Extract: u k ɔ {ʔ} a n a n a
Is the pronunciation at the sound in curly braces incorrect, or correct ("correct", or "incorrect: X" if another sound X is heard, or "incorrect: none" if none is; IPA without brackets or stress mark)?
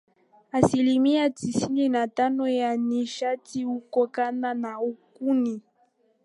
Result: incorrect: k